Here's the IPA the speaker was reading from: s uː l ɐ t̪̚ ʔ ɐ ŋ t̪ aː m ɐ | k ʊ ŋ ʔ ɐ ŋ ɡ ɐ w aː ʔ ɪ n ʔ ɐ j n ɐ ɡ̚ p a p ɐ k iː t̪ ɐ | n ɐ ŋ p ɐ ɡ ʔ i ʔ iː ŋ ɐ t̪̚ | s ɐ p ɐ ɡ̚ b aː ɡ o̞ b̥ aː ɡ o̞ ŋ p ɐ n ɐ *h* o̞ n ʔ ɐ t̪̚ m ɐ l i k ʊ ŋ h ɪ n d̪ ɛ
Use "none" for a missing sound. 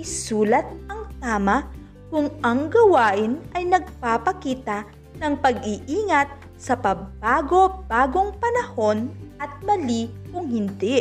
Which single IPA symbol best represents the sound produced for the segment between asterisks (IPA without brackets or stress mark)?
h